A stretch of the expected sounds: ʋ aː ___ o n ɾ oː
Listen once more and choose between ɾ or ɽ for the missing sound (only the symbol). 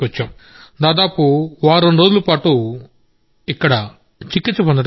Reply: ɾ